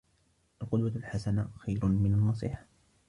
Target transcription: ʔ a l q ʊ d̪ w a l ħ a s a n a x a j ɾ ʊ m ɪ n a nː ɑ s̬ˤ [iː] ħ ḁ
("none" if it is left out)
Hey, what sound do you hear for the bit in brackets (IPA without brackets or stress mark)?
iː